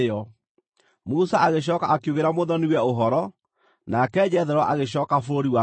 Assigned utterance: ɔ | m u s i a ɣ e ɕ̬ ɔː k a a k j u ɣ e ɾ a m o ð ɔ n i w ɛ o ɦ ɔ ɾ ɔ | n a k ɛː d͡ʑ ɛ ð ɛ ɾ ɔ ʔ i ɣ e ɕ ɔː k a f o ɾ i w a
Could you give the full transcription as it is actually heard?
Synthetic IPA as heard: ɔ | m u s a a ɣ e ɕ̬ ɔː k a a k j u ɣ e ɾ a m o ð ɔ n i w ɛ o ɦ ɔ ɾ ɔ | n a k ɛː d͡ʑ ɛ ð ɛ ɾ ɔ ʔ a ɣ e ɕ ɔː k a f o ɾ i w a